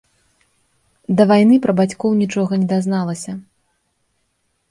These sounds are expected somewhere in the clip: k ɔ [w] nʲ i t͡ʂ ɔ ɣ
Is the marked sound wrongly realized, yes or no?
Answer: no